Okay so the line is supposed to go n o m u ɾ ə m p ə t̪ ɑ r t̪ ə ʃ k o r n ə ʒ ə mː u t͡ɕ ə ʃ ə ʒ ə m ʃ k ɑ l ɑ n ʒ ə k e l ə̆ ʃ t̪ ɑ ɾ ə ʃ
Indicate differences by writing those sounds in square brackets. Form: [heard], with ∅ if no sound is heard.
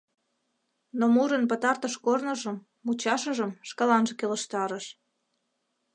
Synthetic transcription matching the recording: n o m u ɾ ə [n] p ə t̪ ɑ r t̪ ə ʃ k o r n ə ʒ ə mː u t͡ɕ [ɑ] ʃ ə ʒ ə m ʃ k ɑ l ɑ n ʒ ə k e l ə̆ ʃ t̪ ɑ ɾ ə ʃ

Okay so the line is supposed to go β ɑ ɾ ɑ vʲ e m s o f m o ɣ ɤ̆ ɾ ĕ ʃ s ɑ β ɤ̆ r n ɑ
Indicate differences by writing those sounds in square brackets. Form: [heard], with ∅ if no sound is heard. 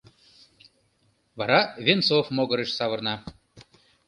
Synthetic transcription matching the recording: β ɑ ɾ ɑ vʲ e [n] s o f m o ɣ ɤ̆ ɾ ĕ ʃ s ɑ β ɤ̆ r n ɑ

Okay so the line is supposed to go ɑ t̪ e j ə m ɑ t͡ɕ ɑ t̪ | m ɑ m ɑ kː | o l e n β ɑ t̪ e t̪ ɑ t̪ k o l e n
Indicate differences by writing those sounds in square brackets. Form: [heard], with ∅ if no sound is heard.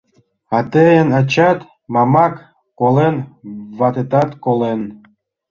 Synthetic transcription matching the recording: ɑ t̪ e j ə [n] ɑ t͡ɕ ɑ t̪ | m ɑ m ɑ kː | o l e n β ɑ t̪ e t̪ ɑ t̪ k o l e n

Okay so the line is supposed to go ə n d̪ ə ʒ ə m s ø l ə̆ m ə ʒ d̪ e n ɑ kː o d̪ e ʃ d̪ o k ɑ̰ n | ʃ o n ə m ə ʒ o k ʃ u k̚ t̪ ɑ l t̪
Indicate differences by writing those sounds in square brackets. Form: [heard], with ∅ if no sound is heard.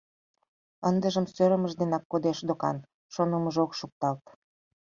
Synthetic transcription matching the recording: ə n d̪ ə ʒ ə m s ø [ɾ] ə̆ m ə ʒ d̪ e n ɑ kː o d̪ e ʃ d̪ o k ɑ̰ n | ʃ o n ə m ə ʒ o k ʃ u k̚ t̪ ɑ l t̪

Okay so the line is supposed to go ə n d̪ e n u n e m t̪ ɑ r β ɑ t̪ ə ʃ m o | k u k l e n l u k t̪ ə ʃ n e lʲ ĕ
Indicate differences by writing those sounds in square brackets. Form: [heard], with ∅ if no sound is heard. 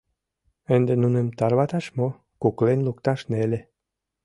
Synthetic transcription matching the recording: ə n d̪ e n u n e m t̪ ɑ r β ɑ t̪ [ɑ] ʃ m o | k u k l e n l u k t̪ [ɑ] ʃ n e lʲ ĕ

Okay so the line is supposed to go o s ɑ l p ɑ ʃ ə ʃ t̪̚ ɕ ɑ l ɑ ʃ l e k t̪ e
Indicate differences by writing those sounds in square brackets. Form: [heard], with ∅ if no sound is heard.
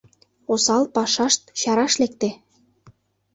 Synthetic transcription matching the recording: o s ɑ l p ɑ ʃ [ɑ] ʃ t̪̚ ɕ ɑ [ɾ] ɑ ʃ l e k t̪ e

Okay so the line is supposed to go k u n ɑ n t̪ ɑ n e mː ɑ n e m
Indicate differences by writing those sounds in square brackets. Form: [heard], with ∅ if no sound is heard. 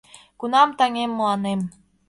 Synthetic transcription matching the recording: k u n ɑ [m] t̪ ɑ [ŋ] e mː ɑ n e m

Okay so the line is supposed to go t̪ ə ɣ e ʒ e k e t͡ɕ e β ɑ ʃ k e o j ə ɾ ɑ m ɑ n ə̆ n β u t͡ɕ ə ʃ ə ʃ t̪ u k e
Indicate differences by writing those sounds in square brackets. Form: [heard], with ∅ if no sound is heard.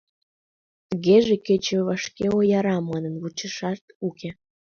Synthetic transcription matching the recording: t̪ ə ɣ e ʒ e k e t͡ɕ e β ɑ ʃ k e o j [ɑ] ɾ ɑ m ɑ n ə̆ n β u t͡ɕ ə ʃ [ɑ] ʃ t̪ u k e

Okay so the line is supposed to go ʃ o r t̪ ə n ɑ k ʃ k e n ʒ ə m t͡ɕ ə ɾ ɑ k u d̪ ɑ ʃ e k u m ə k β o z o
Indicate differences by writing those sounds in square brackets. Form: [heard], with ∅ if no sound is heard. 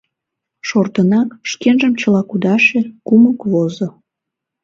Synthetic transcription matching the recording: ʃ o r t̪ ə n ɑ k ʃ k e n ʒ ə m t͡ɕ ə [l] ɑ k u d̪ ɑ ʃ e k u m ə k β o z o

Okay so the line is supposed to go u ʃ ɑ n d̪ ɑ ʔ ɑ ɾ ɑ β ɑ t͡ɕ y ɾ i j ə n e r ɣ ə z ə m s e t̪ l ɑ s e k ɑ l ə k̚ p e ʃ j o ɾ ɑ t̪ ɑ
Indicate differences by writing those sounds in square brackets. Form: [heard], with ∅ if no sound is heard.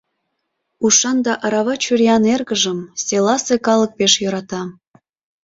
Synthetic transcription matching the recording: u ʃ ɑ n d̪ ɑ ʔ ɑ ɾ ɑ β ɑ t͡ɕ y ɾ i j [ɑ] n e r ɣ ə [ʒ] ə m s e [∅] l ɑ s e k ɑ l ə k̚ p e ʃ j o ɾ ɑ t̪ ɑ

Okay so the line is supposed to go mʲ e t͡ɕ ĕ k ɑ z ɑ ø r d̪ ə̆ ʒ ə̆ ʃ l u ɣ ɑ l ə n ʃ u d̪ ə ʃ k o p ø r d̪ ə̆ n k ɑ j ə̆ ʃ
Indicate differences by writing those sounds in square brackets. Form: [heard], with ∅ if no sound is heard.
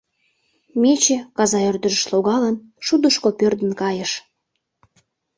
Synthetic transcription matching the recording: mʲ e t͡ɕ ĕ k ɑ z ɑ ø r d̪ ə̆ ʒ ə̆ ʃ l [o] ɣ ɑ l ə n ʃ u d̪ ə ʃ k o p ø r d̪ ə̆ n k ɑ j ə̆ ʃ

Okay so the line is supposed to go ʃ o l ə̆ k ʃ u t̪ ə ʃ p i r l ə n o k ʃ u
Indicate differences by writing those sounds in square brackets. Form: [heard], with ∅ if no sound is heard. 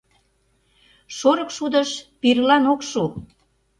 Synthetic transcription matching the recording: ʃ o [ɾ] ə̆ k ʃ u [d̪] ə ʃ p i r l [ɑ] n o k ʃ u

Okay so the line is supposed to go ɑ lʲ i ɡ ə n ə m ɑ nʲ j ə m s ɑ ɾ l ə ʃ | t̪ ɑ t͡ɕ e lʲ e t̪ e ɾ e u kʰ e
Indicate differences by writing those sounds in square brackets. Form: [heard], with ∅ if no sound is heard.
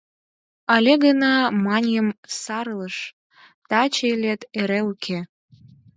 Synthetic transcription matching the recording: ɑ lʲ [e] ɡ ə n [ɑ] m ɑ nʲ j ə m s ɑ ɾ l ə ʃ | t̪ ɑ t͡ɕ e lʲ e t̪ e ɾ e u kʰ e

